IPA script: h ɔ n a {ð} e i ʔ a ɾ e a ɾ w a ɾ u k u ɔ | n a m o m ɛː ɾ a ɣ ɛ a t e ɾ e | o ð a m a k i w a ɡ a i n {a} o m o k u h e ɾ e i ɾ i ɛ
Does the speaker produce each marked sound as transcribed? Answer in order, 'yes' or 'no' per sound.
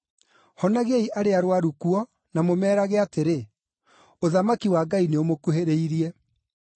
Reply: no, no

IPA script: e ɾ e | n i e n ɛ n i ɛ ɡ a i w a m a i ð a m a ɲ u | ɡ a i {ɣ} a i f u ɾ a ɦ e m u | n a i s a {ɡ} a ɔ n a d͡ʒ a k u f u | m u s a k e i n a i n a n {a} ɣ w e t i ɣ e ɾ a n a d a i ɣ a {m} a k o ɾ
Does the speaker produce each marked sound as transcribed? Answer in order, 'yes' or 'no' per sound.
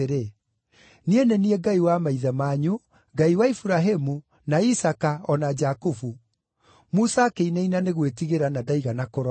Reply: no, no, no, no

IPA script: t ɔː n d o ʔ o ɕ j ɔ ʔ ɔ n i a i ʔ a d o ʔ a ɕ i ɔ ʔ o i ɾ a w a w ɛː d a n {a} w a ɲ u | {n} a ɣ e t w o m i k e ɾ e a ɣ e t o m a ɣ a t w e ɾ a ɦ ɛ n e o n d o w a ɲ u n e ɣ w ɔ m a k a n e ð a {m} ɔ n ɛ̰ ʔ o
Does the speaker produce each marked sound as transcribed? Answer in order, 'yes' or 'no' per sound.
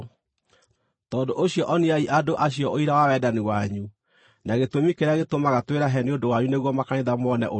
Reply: no, yes, yes

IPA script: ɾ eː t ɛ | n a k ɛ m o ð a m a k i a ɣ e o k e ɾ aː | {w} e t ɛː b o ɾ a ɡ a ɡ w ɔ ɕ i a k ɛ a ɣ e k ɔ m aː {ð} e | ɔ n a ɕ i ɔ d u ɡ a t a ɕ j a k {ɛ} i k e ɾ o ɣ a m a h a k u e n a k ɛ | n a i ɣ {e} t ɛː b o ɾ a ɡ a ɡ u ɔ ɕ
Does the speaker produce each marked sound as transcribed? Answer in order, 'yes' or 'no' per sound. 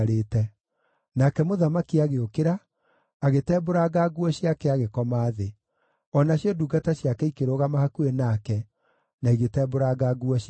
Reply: no, yes, yes, yes

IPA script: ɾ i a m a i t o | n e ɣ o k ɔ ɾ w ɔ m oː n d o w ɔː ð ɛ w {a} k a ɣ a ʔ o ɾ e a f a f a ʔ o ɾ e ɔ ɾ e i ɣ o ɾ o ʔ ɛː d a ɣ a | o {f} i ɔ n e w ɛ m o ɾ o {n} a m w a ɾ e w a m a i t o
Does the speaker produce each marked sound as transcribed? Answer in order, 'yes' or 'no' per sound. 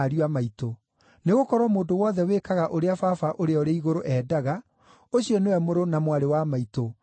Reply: no, no, yes

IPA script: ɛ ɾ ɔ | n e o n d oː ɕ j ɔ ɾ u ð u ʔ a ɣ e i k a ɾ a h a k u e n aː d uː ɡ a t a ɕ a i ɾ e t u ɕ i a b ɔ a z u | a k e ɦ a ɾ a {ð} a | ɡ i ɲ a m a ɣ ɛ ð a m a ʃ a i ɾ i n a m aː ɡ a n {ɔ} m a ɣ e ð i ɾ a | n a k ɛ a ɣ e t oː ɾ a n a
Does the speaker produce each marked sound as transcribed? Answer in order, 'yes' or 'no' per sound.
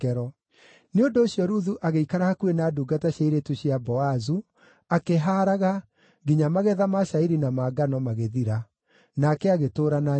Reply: no, yes

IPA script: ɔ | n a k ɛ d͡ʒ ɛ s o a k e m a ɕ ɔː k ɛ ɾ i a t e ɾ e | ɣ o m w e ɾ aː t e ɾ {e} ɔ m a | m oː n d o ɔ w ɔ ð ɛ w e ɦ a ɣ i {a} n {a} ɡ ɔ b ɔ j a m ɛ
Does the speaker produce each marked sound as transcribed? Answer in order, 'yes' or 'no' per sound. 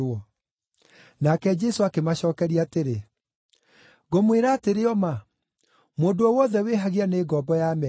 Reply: yes, yes, no

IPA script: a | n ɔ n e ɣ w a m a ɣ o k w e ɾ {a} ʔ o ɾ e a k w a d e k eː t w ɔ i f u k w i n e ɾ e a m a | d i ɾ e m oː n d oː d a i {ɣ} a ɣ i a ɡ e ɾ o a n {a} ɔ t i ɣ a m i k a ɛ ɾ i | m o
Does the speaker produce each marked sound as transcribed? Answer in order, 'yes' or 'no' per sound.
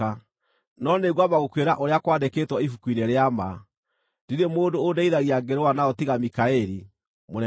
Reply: yes, no, yes

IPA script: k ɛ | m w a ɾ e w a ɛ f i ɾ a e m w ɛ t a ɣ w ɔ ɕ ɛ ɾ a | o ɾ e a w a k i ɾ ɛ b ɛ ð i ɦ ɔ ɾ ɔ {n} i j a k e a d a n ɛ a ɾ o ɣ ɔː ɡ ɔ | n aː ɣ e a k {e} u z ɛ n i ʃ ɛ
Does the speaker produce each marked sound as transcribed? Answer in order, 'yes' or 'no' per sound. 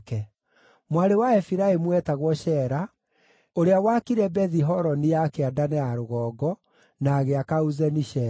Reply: yes, no

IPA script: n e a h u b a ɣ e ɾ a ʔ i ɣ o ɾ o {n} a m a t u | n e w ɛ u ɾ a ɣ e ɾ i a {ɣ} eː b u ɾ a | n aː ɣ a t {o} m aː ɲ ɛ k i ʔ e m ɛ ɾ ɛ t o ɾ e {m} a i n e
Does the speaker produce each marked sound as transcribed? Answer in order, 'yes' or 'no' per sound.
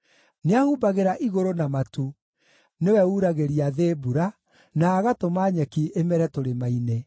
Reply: yes, no, yes, yes

